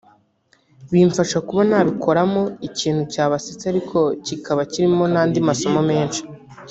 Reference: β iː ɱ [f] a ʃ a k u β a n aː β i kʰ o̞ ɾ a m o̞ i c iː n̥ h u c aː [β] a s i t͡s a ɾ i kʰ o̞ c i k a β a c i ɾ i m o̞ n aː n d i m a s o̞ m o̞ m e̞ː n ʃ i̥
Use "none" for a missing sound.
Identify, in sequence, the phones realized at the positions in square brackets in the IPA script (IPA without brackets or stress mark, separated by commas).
f, β